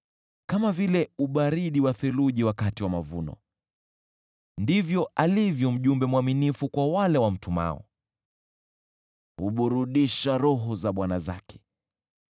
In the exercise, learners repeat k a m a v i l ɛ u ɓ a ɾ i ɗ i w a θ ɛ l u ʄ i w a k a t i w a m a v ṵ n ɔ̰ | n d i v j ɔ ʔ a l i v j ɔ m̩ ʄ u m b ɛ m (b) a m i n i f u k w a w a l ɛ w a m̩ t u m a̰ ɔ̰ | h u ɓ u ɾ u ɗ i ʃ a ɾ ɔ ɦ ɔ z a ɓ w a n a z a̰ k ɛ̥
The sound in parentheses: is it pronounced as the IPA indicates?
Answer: no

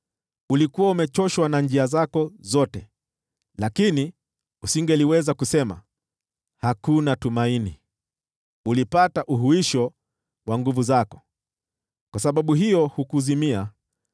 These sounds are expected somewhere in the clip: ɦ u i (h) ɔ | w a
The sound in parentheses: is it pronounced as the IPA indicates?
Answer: no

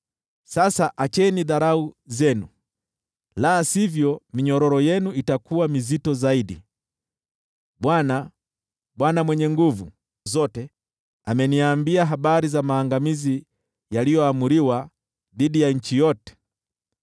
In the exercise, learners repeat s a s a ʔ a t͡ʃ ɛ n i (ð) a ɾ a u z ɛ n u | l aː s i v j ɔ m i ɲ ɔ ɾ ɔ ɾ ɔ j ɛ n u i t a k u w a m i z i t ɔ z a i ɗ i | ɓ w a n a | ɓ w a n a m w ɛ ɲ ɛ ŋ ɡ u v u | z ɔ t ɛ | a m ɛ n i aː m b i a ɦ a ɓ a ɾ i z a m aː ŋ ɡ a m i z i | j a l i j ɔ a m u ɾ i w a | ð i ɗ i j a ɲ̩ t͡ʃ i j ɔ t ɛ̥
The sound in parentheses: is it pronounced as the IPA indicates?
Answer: yes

